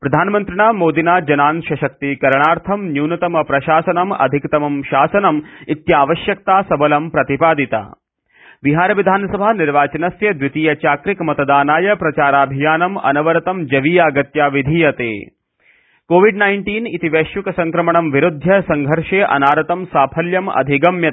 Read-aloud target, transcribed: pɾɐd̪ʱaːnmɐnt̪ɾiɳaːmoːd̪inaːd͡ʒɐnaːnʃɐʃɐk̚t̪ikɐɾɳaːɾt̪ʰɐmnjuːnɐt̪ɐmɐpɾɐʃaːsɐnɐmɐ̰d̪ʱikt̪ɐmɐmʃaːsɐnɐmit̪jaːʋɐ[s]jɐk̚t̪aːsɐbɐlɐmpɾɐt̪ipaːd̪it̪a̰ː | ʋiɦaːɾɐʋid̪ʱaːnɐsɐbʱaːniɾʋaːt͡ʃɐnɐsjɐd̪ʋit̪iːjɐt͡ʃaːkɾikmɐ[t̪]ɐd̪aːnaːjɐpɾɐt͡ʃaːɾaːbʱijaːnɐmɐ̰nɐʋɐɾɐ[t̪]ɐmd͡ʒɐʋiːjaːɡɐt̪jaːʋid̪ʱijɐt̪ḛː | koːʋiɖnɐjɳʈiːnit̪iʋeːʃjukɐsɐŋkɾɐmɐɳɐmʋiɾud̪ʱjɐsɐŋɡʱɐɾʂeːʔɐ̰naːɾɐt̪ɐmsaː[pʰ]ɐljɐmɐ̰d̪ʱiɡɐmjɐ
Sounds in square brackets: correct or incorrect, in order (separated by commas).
incorrect, correct, correct, correct